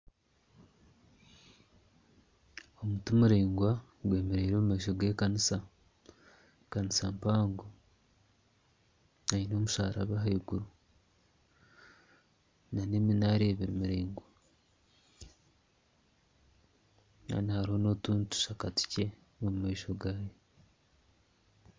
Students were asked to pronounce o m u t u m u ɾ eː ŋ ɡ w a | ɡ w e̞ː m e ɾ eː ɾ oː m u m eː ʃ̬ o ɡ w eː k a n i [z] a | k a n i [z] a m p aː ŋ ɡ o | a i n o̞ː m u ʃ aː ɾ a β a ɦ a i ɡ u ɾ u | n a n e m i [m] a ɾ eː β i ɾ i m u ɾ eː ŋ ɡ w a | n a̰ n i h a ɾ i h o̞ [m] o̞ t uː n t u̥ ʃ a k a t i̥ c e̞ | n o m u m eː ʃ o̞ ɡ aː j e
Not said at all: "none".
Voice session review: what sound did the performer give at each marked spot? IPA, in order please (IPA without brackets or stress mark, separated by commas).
s, s, n, n